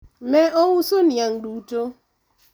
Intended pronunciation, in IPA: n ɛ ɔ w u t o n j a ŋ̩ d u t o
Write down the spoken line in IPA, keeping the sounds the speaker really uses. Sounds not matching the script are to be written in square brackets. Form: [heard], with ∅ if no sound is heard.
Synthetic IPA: [m] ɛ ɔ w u [s] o n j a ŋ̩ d u t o

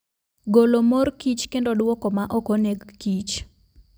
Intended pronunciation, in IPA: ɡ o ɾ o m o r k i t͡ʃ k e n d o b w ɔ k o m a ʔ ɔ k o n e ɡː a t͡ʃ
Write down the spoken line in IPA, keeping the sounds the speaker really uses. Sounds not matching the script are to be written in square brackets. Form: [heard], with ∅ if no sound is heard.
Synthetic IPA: ɡ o [l] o m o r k i t͡ʃ k e n d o [d] w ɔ k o m a ʔ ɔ k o n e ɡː [i] t͡ʃ

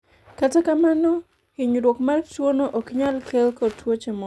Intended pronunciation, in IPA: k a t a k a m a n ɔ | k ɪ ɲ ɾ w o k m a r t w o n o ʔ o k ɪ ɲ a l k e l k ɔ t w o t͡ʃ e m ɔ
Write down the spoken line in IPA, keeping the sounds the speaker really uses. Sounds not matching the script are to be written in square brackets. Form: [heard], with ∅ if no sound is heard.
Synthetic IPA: k a t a k a m a n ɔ | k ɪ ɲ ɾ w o k m a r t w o n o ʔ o k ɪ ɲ a l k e l k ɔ t w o t͡ʃ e m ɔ

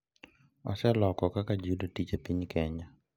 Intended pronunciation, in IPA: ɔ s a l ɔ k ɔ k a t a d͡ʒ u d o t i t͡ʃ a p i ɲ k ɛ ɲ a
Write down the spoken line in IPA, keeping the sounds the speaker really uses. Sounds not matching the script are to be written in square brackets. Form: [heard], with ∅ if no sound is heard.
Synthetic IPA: ɔ s [ɛ] l ɔ k ɔ k a [k] a d͡ʒ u d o t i t͡ʃ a p i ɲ k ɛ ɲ a

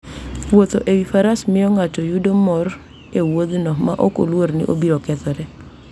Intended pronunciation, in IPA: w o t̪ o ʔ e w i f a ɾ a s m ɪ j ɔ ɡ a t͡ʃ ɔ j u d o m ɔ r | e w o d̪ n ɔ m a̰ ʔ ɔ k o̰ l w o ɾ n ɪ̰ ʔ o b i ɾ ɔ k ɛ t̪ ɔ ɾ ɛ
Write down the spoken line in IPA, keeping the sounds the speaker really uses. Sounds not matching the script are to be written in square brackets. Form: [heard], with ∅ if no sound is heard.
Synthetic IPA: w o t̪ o ʔ e w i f a ɾ a s m ɪ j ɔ [ŋ] a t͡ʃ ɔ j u d o m ɔ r | e w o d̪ n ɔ m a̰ ʔ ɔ k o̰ l w o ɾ n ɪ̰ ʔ o b i ɾ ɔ k ɛ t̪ ɔ ɾ ɛ

